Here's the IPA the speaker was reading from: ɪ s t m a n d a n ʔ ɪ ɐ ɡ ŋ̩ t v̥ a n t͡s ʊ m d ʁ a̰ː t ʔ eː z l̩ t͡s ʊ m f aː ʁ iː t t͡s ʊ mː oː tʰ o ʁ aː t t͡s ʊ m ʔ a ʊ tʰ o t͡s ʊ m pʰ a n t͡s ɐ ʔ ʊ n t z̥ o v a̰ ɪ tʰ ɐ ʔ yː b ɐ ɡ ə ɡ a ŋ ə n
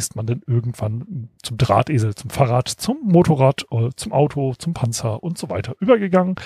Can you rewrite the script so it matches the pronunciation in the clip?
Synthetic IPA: ɪ s t m a n d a n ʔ ɪ ɐ ɡ ŋ̩ t v̥ a n t͡s ʊ m d ʁ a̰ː t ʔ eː z l̩ t͡s ʊ m f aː ʁ aː t t͡s ʊ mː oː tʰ o ʁ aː t t͡s ʊ m ʔ a ʊ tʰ o t͡s ʊ m pʰ a n t͡s ɐ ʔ ʊ n t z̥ o v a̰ ɪ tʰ ɐ ʔ yː b ɐ ɡ ə ɡ a ŋ ə n